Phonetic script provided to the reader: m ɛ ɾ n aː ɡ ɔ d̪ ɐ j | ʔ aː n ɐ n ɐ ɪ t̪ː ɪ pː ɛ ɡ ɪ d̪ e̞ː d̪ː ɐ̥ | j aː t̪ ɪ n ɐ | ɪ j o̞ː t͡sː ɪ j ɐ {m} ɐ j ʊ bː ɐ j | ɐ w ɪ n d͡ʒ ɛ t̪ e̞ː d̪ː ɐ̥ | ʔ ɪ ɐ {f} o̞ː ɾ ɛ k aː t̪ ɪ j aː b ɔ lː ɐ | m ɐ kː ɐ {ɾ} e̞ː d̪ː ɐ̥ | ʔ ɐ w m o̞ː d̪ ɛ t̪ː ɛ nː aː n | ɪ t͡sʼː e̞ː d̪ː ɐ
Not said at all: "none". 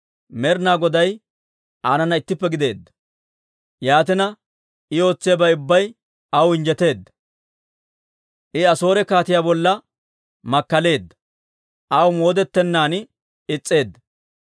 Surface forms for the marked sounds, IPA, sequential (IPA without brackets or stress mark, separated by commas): b, s, l